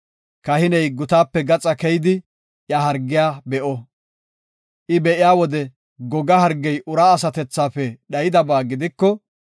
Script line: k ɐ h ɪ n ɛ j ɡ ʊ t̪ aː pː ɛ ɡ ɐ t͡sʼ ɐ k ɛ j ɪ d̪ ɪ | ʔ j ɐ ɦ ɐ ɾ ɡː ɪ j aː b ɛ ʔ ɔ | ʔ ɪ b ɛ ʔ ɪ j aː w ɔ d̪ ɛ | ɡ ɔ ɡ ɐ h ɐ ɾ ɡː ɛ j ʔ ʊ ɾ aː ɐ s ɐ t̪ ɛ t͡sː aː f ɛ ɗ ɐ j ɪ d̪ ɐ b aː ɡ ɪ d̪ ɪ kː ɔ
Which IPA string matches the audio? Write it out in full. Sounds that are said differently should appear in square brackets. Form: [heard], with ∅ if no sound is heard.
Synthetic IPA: k ɐ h ɪ n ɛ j ɡ ʊ t̪ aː pː ɛ ɡ ɐ t͡sʼ ɐ k ɛ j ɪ d̪ ɪ | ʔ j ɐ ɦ ɐ ɾ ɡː ɪ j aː b ɛ ʔ ɔ | ʔ ɪ b ɛ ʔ ɪ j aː w ɔ d̪ ɛ | ɡ ɔ ɡ ɐ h ɐ ɾ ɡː ɛ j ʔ ʊ ɾ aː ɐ s ɐ t̪ ɛ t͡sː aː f ɛ ɗ ɐ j ɪ d̪ ɐ b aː ɡ ɪ d̪ ɪ kː ɔ

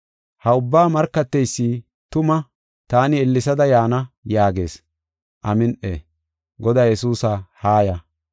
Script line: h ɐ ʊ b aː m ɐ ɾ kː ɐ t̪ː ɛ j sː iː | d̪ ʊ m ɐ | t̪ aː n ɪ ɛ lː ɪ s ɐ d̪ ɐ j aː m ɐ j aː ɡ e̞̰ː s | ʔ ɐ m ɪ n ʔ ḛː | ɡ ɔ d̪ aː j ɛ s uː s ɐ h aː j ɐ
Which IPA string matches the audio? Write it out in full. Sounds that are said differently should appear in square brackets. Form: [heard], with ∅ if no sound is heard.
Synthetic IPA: h ɐ ʊ [bː] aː m ɐ ɾ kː ɐ t̪ː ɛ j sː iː | [t̪] ʊ m ɐ | t̪ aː n ɪ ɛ lː ɪ s ɐ d̪ ɐ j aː [n] ɐ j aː ɡ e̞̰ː s | ʔ ɐ m ɪ n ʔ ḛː | ɡ ɔ d̪ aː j ɛ s uː s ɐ h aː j ɐ

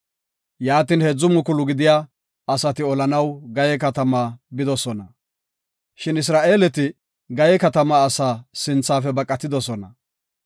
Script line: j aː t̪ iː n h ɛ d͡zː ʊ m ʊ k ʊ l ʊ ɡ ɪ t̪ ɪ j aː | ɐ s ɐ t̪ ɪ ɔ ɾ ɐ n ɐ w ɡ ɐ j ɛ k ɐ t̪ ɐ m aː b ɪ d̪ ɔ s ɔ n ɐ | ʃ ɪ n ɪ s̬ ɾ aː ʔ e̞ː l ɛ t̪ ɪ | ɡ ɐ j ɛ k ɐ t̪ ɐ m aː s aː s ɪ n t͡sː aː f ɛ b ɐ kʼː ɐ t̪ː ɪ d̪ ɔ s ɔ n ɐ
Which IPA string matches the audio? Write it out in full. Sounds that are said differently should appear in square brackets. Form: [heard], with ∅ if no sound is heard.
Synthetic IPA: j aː t̪ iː n h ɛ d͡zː ʊ m ʊ k ʊ l ʊ ɡ ɪ [d̪] ɪ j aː | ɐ s ɐ t̪ ɪ ɔ [l] ɐ n ɐ w ɡ ɐ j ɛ k ɐ t̪ ɐ m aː b ɪ d̪ ɔ s ɔ n ɐ | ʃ ɪ n ɪ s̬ ɾ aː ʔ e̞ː l ɛ t̪ ɪ | ɡ ɐ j ɛ k ɐ t̪ ɐ m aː s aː s ɪ n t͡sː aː f ɛ b ɐ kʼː ɐ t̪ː ɪ d̪ ɔ s ɔ n ɐ

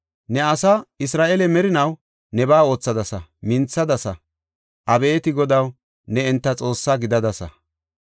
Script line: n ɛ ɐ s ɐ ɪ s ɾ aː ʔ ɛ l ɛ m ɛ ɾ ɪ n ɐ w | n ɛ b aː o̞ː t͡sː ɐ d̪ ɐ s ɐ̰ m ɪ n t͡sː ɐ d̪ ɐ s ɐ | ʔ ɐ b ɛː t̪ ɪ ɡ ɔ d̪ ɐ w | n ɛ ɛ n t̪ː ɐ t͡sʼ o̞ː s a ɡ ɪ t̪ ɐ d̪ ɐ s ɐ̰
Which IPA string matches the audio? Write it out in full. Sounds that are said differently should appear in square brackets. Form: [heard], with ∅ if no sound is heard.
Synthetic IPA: n ɛ ɐ s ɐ ɪ s ɾ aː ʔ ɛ l ɛ m ɛ ɾ ɪ n ɐ w | n ɛ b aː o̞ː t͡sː ɐ d̪ ɐ s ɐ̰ m ɪ n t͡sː ɐ d̪ ɐ s ɐ | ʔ ɐ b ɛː t̪ ɪ ɡ ɔ d̪ ɐ w | n ɛ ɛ n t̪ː ɐ t͡sʼ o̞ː [sː] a ɡ ɪ [d̪] ɐ d̪ ɐ s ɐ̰

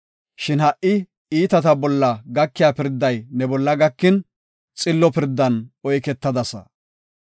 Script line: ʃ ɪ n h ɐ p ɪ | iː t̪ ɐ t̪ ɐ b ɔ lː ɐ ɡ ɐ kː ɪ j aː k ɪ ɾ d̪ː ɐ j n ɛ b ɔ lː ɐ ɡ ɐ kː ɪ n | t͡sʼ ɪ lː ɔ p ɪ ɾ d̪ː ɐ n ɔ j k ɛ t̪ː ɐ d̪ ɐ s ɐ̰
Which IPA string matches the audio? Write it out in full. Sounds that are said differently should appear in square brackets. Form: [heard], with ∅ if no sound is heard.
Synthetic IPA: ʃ ɪ n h ɐ [ʔ] ɪ | iː t̪ ɐ t̪ ɐ b ɔ lː ɐ ɡ ɐ kː ɪ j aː [p] ɪ ɾ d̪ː ɐ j n ɛ b ɔ lː ɐ ɡ ɐ kː ɪ n | t͡sʼ ɪ lː ɔ p ɪ ɾ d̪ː ɐ n ɔ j k ɛ t̪ː ɐ d̪ ɐ s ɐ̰

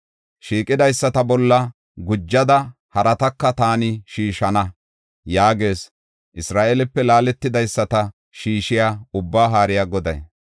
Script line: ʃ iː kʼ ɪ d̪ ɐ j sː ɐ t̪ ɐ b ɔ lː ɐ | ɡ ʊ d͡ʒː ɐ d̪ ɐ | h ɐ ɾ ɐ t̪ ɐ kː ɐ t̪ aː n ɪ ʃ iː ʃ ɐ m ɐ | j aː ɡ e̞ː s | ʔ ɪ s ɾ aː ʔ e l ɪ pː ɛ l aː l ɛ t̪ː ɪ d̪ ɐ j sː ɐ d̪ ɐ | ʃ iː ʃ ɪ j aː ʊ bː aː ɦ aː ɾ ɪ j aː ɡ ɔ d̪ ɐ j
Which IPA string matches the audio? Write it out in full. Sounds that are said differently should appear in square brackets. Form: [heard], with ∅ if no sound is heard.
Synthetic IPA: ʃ iː kʼ ɪ d̪ ɐ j sː ɐ t̪ ɐ b ɔ lː ɐ | ɡ ʊ d͡ʒː ɐ d̪ ɐ | h ɐ ɾ ɐ t̪ ɐ kː ɐ t̪ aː n ɪ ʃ iː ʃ ɐ [n] ɐ | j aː ɡ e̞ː s | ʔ ɪ s ɾ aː ʔ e l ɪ pː ɛ l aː l ɛ t̪ː ɪ d̪ ɐ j sː ɐ [t̪] ɐ | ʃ iː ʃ ɪ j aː ʊ bː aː ɦ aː ɾ ɪ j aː ɡ ɔ d̪ ɐ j

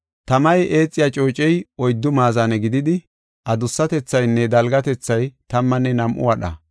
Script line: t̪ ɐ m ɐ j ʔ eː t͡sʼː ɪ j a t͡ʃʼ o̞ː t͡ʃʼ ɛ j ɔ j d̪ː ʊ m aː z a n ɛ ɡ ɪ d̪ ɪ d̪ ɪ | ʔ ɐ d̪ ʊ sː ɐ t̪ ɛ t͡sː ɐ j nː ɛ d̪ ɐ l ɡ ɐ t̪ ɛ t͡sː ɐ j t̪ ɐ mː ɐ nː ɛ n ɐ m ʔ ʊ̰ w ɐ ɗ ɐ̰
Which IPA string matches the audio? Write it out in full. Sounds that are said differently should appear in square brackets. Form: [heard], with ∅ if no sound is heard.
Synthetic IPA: t̪ ɐ m ɐ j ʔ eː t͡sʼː ɪ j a t͡ʃʼ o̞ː t͡ʃʼ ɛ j ɔ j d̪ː ʊ m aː z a n ɛ ɡ ɪ d̪ ɪ d̪ ɪ | ʔ ɐ d̪ ʊ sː ɐ t̪ ɛ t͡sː ɐ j nː ɛ d̪ ɐ l ɡ ɐ t̪ ɛ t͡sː ɐ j t̪ ɐ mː ɐ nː ɛ n ɐ m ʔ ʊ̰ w ɐ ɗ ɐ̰

